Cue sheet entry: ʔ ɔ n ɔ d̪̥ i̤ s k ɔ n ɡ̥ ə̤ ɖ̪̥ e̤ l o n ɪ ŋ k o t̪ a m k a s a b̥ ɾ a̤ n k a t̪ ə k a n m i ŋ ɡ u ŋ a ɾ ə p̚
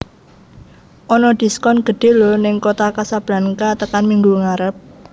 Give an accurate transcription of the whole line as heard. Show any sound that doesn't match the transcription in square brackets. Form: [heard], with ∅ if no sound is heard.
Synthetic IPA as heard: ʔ ɔ n ɔ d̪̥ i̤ s k ɔ n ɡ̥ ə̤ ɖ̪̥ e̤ l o n ɪ ŋ k o t̪ a [∅] k a s a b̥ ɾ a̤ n k a t̪ ə k a n m i ŋ ɡ u ŋ a ɾ ə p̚